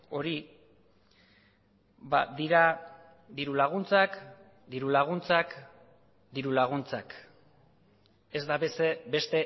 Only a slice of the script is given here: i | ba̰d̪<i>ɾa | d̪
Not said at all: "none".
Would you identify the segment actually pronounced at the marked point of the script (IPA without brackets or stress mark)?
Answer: i